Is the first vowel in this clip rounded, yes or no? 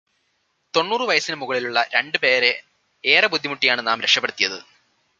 yes